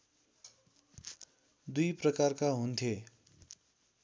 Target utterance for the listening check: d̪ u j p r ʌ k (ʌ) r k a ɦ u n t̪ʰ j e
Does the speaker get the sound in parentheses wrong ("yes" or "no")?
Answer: yes